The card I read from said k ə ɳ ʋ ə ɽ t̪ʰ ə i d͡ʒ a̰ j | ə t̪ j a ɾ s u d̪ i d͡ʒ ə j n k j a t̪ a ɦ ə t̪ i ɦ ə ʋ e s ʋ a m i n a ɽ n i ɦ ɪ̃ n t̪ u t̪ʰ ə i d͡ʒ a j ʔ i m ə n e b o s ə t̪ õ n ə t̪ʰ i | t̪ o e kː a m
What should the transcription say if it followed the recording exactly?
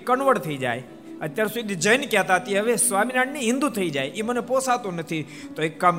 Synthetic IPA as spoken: k ə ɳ ʋ ə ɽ t̪ʰ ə i d͡ʒ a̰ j | ə t̪ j a ɾ s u d̪ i d͡ʒ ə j n k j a t̪ a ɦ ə t̪ i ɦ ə ʋ e s ʋ a m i n a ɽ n i ɦ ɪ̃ n d̪ u t̪ʰ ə i d͡ʒ a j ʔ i m ə n e p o s a t̪ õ n ə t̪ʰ i | t̪ o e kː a m